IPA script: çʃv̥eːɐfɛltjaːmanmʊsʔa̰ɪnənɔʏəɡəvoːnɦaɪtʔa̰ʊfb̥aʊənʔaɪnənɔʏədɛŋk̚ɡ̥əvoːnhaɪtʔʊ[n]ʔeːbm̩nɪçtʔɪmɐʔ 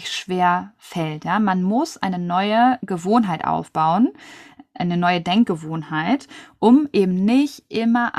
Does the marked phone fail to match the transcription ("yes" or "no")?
yes